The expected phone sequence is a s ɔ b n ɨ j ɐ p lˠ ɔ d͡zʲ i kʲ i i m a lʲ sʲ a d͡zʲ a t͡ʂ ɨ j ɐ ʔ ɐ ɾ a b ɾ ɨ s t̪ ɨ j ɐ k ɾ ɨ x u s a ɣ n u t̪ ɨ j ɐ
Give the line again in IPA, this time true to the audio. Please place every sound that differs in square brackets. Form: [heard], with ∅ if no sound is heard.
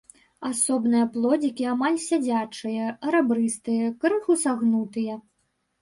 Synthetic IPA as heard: a s ɔ b n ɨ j ɐ p lˠ ɔ d͡zʲ i kʲ i [a] m a lʲ sʲ a d͡zʲ a t͡ʂ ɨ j ɐ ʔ ɐ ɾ a b ɾ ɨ s t̪ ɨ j ɐ k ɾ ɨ x u s a ɣ n u t̪ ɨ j ɐ